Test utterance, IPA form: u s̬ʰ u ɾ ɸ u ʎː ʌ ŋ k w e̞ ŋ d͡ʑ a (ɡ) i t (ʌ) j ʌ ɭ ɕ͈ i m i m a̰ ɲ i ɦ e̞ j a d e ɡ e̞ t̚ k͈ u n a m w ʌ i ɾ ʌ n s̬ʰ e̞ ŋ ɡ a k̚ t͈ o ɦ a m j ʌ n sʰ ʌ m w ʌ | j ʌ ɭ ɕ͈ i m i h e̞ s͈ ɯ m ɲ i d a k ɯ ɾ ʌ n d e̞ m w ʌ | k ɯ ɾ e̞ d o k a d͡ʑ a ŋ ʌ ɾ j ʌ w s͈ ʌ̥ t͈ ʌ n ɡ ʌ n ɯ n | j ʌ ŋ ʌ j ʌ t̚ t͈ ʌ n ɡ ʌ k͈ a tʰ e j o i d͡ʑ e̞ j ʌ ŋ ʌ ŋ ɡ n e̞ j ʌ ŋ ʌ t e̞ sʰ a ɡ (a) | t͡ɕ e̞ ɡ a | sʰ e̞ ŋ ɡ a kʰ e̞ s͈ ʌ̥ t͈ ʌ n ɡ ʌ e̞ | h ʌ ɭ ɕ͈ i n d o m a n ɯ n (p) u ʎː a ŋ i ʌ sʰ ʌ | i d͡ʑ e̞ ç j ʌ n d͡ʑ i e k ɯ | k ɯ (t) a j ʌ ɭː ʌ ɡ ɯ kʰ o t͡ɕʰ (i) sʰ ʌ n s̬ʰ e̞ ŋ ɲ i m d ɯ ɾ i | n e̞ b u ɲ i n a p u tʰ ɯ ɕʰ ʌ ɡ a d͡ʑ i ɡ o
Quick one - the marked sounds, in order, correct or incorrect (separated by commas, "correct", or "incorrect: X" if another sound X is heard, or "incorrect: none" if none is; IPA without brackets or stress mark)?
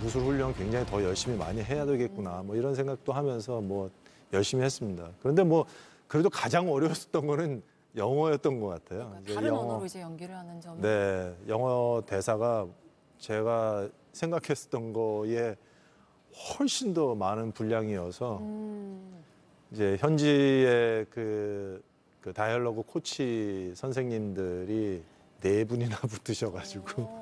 incorrect: ŋ, correct, correct, correct, correct, correct